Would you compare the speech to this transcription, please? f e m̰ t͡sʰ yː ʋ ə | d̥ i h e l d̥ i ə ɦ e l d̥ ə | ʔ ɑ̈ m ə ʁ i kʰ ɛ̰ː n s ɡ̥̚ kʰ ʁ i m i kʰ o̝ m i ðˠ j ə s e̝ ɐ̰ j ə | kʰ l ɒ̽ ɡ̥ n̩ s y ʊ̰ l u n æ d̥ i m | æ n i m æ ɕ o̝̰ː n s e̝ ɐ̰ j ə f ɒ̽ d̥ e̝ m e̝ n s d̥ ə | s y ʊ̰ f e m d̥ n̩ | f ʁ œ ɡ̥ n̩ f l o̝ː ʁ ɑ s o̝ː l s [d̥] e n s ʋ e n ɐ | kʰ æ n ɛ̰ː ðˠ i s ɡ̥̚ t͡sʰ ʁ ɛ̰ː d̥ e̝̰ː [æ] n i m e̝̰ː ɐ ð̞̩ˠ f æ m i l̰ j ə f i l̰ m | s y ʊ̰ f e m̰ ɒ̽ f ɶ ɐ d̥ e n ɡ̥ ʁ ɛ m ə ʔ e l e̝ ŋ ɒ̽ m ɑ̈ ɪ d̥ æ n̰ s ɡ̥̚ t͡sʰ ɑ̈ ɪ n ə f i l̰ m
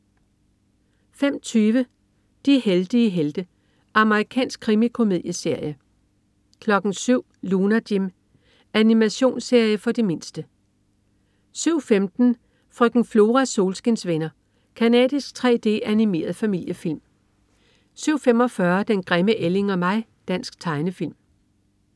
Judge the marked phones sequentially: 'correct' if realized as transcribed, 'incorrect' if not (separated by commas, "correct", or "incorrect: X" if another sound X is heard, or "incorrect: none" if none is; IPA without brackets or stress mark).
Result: incorrect: ɡ̥, correct